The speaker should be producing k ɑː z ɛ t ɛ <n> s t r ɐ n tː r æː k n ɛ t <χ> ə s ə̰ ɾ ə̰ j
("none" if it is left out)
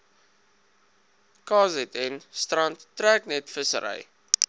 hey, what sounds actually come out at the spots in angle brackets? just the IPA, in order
n, f

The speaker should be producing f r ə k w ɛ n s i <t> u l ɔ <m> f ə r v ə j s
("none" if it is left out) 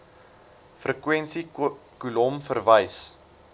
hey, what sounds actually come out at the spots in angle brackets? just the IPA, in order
k, m

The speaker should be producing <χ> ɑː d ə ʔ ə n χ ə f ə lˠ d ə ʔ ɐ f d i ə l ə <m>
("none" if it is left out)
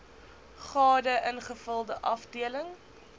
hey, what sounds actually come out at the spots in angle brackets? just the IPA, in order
χ, ŋ

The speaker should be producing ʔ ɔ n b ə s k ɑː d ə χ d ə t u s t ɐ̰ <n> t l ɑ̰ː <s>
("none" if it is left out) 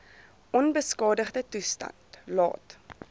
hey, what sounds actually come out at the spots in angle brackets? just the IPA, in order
n, t

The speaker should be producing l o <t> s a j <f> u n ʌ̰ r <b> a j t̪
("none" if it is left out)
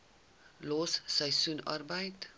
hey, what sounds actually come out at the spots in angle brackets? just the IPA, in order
s, s, b

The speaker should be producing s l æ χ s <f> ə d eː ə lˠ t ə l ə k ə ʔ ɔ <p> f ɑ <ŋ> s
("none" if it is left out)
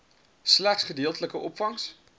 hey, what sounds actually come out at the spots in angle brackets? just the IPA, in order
χ, p, ŋ

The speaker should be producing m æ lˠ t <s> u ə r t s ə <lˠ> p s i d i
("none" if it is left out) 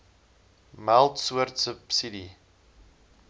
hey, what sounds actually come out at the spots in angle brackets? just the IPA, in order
s, none

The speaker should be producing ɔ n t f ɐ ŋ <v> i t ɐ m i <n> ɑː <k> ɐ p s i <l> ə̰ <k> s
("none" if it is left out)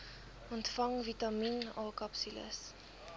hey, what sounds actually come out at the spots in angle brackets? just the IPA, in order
v, n, k, l, none

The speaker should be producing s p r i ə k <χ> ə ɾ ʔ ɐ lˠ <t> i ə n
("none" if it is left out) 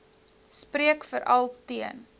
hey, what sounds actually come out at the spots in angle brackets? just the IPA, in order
f, t

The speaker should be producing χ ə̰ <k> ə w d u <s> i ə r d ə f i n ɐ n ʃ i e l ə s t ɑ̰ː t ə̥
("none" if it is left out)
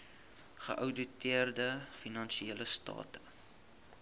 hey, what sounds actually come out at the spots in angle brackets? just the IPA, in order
ʔ, t

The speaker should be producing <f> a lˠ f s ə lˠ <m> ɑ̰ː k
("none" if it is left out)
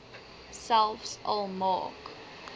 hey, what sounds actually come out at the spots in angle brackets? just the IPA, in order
s, m

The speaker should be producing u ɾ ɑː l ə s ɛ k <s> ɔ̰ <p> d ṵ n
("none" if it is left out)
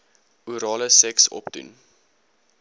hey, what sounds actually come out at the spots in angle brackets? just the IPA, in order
s, p

